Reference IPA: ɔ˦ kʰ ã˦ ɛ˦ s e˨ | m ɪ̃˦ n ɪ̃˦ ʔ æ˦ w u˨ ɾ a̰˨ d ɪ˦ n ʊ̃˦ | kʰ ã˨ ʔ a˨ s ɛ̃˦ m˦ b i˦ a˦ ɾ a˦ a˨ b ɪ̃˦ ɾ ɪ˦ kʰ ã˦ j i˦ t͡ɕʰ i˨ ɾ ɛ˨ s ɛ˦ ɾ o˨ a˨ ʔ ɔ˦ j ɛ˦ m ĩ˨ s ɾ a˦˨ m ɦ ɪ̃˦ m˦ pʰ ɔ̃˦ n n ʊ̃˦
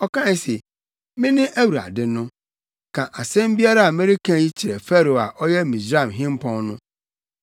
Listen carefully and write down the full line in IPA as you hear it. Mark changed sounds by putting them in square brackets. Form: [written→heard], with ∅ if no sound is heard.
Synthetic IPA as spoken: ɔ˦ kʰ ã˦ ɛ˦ s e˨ | m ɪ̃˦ n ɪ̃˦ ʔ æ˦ w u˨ ɾ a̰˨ d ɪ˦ n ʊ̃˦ | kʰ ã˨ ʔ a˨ s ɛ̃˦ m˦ b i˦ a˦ ɾ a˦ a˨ [b→m] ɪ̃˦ ɾ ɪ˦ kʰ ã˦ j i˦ t͡ɕʰ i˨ ɾ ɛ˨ [s→f] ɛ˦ ɾ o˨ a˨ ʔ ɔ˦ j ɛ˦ m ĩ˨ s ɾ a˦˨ m ɦ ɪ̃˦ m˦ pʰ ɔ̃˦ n n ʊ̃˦

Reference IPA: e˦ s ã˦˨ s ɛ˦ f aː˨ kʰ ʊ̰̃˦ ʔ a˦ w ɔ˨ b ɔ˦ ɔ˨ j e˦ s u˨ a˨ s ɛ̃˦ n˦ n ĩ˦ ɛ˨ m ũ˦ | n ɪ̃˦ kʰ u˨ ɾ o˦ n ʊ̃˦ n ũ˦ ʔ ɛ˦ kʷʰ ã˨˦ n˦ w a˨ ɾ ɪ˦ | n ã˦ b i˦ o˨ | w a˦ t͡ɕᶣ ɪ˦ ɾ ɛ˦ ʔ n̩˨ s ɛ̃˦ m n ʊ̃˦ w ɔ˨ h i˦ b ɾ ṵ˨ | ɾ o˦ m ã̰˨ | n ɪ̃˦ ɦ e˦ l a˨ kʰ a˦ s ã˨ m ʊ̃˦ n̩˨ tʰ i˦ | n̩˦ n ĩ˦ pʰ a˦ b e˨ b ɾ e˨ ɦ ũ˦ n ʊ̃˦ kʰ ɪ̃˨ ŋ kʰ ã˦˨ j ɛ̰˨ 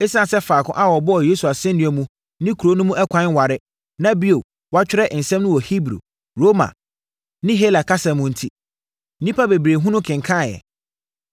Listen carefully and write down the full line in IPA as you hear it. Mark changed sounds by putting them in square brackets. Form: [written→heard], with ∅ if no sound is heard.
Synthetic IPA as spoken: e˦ s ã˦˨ s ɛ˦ f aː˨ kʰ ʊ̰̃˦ ʔ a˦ w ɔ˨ b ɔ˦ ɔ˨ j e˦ s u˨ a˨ s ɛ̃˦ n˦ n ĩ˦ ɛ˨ m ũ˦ | n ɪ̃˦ kʰ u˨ ɾ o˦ n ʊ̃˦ [n→m] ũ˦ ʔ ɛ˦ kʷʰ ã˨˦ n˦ w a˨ ɾ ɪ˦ | n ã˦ b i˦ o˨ | w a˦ t͡ɕᶣ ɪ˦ ɾ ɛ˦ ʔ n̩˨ s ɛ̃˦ m n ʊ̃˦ w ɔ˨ h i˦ b ɾ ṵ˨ | ɾ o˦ m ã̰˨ | n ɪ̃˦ ɦ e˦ l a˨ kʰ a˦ s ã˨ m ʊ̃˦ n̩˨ tʰ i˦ | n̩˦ n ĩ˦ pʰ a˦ b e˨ b ɾ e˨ ɦ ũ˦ n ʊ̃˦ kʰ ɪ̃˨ ŋ kʰ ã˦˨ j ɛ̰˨

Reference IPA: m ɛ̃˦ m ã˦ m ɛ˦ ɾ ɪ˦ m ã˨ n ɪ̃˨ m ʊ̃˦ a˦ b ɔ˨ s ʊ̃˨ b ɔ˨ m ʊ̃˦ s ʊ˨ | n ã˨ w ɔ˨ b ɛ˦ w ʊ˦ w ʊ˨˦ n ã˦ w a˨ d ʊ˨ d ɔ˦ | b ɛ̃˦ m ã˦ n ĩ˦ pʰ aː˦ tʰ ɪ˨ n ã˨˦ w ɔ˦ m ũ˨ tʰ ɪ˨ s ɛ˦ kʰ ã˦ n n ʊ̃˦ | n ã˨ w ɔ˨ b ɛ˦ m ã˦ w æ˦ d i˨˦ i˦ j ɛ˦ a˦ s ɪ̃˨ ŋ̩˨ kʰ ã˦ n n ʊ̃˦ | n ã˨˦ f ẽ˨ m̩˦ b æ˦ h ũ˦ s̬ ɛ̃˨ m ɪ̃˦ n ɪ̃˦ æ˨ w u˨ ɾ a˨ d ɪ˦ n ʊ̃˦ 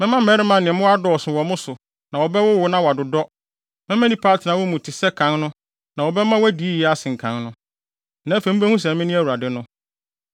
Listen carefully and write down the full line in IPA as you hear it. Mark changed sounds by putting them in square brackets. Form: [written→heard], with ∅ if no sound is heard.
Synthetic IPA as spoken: m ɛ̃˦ m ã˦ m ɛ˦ ɾ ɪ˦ m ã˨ n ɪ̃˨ m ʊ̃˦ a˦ [b→d] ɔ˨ s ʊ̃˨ [b→w] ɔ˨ m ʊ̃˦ s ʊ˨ | n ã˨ w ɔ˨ b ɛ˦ w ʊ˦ w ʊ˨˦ n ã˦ w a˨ d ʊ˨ d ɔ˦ | [b→m] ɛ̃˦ m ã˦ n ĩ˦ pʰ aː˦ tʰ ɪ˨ n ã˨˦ w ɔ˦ m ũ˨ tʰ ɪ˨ s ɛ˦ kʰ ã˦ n n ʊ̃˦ | n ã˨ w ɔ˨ b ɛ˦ m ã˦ w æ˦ d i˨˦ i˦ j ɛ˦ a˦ s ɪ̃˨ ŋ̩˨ kʰ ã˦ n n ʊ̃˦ | n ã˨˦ f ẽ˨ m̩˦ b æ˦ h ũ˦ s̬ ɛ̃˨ m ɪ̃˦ n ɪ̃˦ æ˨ w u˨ ɾ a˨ d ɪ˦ n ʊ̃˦

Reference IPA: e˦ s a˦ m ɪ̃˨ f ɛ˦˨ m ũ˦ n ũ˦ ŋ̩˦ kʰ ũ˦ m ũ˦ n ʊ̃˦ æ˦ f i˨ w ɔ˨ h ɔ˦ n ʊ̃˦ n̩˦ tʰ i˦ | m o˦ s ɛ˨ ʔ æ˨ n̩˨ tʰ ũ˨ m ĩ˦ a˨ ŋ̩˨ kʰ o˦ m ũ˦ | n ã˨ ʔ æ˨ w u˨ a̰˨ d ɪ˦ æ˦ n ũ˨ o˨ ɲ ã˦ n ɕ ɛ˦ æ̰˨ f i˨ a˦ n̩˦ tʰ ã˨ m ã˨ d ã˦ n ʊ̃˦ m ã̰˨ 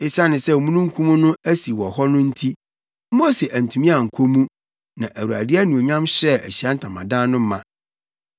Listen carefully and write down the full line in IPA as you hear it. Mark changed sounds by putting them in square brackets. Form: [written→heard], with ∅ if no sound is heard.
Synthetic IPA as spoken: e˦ s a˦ [m→n] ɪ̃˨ [f→s] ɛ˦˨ m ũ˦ n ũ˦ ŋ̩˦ kʰ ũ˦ m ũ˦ n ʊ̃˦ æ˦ [f→s] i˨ w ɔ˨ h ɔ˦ n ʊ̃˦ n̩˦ tʰ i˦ | m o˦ s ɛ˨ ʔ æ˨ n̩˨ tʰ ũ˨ m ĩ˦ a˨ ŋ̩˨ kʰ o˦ m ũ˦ | n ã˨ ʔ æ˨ w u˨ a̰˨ d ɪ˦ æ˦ n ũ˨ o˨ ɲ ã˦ [n→m] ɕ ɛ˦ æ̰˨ [f→ɕ] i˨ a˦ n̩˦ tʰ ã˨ m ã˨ d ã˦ n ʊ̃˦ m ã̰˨

